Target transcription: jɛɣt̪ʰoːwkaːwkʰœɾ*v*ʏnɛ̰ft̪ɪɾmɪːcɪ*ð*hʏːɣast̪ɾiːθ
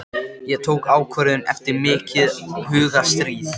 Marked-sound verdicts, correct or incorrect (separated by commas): incorrect, correct